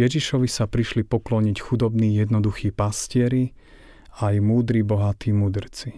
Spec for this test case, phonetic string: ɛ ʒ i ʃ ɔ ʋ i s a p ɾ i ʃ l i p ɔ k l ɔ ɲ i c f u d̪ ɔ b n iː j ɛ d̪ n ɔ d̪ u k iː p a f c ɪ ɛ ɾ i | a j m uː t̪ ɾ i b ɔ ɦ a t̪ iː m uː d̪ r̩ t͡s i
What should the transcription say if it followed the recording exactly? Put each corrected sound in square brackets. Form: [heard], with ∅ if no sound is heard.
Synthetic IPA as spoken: ɛ ʒ i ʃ ɔ ʋ i s a p ɾ i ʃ l i p ɔ k l ɔ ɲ i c [x] u d̪ ɔ b n iː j ɛ d̪ n ɔ d̪ u [x] iː p a [s] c ɪ ɛ ɾ i | a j m uː [d̪] ɾ i b ɔ ɦ a t̪ iː m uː d̪ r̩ t͡s i